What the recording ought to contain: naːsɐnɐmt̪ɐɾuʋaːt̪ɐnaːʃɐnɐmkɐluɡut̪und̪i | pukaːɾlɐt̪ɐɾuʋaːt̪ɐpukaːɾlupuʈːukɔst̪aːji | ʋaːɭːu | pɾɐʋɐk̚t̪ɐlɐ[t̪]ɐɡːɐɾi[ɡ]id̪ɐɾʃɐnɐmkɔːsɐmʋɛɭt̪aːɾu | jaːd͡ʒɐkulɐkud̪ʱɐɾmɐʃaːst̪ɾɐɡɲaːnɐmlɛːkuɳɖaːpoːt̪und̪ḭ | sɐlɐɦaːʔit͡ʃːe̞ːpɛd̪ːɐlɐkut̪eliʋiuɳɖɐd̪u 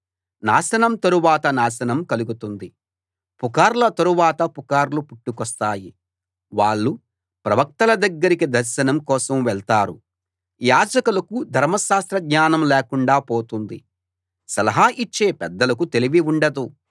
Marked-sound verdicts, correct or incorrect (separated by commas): incorrect, incorrect